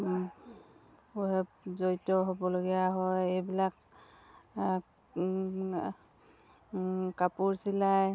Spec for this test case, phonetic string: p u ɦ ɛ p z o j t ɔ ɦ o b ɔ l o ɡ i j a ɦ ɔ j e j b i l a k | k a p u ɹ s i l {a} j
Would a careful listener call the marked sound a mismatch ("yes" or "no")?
no